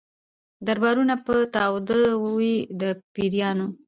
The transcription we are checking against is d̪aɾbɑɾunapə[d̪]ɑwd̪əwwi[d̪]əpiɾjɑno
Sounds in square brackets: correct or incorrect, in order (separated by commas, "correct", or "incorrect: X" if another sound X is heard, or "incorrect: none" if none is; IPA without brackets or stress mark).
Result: incorrect: t̪, correct